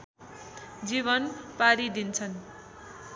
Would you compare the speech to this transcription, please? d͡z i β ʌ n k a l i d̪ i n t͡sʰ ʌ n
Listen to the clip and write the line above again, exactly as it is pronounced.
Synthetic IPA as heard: d͡z i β ʌ n p a ɾ i d̪ i n t͡sʰ ʌ n